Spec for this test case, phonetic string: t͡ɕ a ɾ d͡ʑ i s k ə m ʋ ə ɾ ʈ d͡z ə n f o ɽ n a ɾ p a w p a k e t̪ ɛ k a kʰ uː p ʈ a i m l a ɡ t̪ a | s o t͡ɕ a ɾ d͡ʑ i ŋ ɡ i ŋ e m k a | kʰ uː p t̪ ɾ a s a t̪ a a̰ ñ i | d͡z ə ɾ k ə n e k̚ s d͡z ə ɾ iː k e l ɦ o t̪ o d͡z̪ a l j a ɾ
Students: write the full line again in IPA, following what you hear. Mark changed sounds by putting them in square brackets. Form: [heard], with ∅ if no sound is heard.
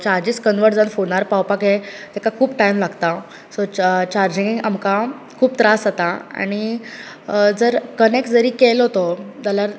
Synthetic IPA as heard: t͡ɕ a ɾ d͡ʑ i s k ə [n] ʋ ə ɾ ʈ d͡z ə n f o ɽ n a ɾ p a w p a k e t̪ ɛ k a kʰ uː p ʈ a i m l a ɡ t̪ a | s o t͡ɕ a ɾ d͡ʑ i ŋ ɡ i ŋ [a] m k a | kʰ uː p t̪ ɾ a s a t̪ a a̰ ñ i | d͡z ə ɾ k ə n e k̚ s d͡z ə ɾ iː k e l ɦ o t̪ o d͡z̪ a l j a ɾ

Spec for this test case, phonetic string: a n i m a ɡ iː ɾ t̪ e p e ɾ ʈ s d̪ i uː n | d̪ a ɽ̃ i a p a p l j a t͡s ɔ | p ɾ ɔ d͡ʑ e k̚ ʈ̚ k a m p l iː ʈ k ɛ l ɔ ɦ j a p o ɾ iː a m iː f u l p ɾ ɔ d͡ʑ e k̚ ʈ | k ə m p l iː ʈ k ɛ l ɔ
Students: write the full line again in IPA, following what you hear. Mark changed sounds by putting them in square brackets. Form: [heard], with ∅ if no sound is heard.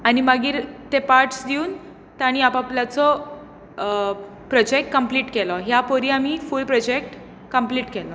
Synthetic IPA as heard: a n i m a ɡ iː ɾ t̪ e p [a] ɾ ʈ s d̪ i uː n | [t̪] a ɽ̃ i a p a p l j a t͡s ɔ | p ɾ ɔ d͡ʑ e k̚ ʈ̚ k [ə] m p l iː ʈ k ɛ l ɔ ɦ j a p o ɾ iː a m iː f u l p ɾ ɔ d͡ʑ e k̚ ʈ | k ə m p l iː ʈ k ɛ l ɔ

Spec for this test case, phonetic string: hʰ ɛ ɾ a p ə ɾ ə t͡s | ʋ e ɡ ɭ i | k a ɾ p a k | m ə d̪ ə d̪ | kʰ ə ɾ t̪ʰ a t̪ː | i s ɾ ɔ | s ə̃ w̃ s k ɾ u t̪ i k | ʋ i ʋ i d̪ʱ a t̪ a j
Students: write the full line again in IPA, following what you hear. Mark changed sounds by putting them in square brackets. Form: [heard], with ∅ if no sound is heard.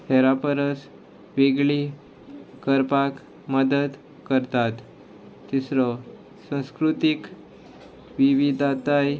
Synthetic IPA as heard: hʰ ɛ ɾ a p ə ɾ ə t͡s | ʋ e ɡ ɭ i | k [ə] ɾ p a k | m ə d̪ ə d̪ | [k] ə ɾ [t̪] a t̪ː | i s ɾ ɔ | s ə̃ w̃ s k ɾ u t̪ i k | ʋ i ʋ i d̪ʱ a t̪ a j

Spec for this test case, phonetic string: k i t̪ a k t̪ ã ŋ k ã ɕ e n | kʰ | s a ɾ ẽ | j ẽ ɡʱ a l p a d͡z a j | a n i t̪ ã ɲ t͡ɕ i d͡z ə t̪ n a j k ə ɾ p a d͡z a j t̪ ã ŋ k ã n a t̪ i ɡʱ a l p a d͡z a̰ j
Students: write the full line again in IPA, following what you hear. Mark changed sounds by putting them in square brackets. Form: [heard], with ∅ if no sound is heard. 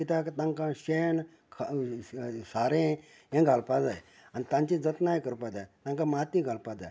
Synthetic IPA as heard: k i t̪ a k t̪ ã ŋ k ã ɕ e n | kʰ | s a ɾ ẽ | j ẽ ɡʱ a l p a d͡z a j | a n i t̪ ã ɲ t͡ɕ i d͡z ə t̪ n a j k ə ɾ p a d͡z a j t̪ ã ŋ k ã [m] a t̪ i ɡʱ a l p a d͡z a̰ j

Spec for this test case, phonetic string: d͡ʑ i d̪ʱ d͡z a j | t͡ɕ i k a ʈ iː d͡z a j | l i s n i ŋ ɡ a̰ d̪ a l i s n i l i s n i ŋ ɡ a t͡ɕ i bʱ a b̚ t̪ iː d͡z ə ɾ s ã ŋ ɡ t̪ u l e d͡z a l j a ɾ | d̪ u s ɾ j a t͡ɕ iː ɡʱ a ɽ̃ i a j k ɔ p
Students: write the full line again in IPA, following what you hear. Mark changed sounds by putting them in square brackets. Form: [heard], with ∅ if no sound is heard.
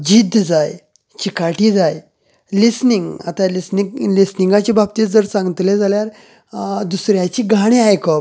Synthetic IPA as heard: d͡ʑ i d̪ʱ d͡z a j | t͡ɕ i k a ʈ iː d͡z a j | l i s n i ŋ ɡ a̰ [t̪] a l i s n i l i s n i ŋ ɡ a t͡ɕ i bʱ a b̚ t̪ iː d͡z ə ɾ s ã ŋ ɡ t̪ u l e d͡z a l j a ɾ | d̪ u s ɾ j a t͡ɕ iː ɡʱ a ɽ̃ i a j k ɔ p

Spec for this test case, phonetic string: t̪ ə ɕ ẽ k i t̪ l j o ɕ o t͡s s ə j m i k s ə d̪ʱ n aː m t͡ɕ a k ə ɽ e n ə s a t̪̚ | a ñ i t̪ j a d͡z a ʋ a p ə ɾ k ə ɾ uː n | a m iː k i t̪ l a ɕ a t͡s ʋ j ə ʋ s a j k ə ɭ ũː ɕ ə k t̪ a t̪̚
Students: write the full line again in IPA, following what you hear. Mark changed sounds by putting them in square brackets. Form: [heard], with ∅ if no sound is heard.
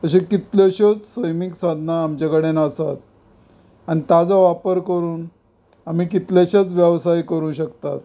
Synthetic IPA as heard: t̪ ə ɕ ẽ k i t̪ l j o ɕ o t͡s s ə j m i k s [a] d̪ʱ n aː m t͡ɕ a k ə ɽ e n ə s a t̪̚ | a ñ i t̪ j a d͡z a ʋ a p ə ɾ k ə ɾ uː n | a m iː k i t̪ l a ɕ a t͡s ʋ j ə ʋ s a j k ə [ɾ] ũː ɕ ə k t̪ a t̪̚

